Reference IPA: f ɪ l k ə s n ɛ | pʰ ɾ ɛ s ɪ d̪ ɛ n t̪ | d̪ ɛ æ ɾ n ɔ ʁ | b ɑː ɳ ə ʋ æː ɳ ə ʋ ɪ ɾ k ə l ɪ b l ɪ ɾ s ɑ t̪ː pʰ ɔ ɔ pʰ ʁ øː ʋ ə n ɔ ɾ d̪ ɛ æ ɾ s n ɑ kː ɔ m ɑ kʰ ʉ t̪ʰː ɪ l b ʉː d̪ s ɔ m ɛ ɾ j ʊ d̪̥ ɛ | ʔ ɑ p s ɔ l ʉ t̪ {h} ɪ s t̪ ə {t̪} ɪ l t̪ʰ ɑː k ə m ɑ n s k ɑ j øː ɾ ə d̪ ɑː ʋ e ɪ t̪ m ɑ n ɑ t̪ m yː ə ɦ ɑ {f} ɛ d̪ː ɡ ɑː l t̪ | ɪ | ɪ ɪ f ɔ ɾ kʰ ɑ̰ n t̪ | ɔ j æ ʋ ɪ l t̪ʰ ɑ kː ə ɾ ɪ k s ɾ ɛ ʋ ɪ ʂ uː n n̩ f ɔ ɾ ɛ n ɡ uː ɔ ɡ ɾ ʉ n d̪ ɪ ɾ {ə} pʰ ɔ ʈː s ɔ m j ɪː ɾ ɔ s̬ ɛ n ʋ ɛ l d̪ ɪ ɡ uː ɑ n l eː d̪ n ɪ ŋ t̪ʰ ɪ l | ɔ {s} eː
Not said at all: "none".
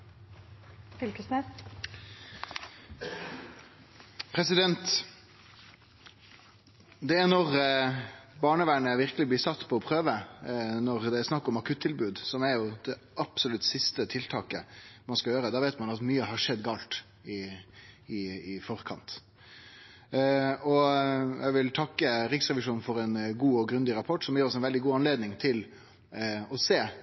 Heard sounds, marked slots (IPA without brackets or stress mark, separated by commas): s, t̪ʰ, ʂ, ɑ, s